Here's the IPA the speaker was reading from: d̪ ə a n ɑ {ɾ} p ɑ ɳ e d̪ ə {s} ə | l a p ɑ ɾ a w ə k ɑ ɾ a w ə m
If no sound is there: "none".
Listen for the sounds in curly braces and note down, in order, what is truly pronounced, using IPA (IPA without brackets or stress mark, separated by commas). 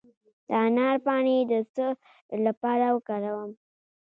ɾ, s